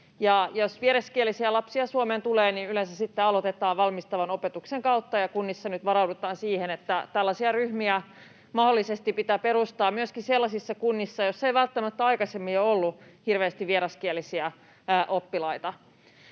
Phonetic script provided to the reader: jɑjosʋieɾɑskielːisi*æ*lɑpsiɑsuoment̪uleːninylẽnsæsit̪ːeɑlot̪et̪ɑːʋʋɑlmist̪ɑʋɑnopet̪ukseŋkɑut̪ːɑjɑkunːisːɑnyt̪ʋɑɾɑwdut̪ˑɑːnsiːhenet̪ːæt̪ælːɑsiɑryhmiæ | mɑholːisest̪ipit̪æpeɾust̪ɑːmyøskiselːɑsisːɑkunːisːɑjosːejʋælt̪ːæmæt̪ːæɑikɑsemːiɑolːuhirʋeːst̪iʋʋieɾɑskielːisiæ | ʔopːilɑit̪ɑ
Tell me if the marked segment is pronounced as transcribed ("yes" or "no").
yes